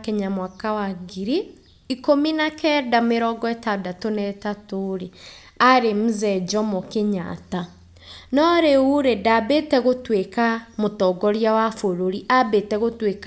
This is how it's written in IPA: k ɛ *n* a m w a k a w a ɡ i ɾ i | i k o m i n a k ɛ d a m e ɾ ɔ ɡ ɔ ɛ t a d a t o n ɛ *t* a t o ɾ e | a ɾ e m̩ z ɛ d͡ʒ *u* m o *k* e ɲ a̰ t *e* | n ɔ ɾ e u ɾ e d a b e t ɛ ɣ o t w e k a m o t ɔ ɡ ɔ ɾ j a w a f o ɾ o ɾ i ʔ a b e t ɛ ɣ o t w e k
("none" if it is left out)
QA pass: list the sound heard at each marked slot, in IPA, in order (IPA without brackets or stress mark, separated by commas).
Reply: ɲ, t, ɔ, k, a